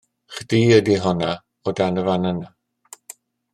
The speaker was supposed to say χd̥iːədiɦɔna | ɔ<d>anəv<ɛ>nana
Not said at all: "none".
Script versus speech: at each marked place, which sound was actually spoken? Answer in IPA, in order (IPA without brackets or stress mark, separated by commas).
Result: d, a